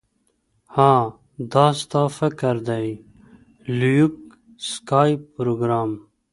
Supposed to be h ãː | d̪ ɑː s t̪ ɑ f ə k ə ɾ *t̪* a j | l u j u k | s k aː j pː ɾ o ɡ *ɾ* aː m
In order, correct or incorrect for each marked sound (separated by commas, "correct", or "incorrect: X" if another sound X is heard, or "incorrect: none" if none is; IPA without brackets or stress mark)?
incorrect: d̪, correct